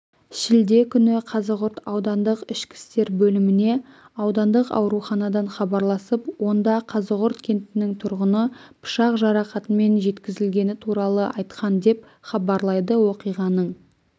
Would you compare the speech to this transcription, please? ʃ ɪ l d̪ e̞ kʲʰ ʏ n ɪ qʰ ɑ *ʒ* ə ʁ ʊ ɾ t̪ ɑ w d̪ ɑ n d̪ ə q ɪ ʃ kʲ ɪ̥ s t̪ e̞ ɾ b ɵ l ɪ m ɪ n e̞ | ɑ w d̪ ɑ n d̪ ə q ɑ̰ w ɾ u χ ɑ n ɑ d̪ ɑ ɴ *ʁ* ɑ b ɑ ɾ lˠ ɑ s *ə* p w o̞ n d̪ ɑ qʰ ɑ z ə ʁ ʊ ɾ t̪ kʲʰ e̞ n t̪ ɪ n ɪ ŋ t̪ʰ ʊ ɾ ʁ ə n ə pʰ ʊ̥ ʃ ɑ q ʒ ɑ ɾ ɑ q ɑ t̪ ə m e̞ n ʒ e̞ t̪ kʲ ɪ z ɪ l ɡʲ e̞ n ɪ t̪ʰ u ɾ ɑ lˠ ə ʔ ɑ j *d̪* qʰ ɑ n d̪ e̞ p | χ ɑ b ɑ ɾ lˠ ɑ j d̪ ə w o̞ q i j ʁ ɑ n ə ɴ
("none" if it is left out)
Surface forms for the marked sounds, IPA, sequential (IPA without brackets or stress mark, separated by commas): z, χ, ə, t̪